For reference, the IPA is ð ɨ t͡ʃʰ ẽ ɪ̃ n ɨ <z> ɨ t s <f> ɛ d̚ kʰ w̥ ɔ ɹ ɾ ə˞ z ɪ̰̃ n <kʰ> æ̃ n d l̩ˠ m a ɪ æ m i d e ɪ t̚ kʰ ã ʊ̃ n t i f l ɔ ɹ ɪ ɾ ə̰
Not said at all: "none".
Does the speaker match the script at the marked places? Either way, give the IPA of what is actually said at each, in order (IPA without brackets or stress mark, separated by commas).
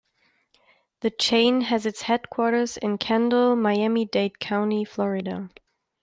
z, h, kʰ